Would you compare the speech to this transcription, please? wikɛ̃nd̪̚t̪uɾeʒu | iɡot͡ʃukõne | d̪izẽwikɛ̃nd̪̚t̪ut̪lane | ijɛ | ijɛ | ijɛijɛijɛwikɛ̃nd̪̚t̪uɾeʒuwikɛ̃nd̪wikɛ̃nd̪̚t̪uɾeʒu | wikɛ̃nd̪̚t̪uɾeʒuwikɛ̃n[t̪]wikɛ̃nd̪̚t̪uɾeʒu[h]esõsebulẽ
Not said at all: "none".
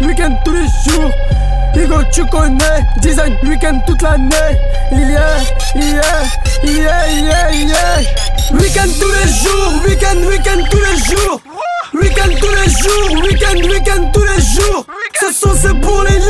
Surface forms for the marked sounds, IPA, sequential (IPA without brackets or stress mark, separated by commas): d̪, s